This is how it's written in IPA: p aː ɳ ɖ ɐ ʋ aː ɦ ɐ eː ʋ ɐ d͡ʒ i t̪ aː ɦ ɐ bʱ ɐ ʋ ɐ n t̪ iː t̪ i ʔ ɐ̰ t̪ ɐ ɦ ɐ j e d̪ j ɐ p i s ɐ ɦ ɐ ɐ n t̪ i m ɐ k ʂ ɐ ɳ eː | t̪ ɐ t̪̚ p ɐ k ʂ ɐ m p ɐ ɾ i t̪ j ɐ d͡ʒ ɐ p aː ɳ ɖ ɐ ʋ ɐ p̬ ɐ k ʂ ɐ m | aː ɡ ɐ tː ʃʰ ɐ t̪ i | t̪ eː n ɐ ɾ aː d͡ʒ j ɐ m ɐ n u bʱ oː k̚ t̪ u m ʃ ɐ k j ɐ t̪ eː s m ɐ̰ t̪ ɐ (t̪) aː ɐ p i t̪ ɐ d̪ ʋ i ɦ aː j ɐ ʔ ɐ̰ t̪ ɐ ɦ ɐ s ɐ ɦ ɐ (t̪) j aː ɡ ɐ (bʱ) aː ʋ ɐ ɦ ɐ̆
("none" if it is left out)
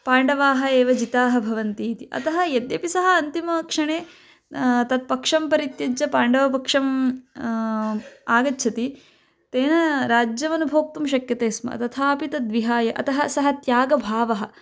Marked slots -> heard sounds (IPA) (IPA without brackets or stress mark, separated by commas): t̪ʰ, t̪, bʱ